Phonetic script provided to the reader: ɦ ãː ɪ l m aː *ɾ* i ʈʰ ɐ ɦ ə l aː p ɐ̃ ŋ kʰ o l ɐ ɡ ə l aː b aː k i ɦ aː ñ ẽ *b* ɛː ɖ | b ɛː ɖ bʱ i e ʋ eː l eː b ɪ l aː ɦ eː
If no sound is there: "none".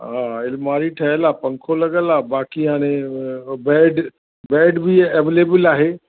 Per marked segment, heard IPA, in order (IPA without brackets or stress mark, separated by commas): ɾ, b